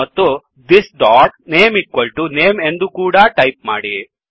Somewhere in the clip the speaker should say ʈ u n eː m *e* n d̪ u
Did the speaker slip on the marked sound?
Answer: no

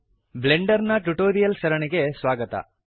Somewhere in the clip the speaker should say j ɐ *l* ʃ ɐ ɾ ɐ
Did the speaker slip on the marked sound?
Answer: no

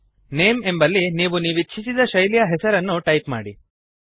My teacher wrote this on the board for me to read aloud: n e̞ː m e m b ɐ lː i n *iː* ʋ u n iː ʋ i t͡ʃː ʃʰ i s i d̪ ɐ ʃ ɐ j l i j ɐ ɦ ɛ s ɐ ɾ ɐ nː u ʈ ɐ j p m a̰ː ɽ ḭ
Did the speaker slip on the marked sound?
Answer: no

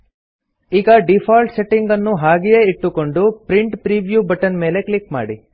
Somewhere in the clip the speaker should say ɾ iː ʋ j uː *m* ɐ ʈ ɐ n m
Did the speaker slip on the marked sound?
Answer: yes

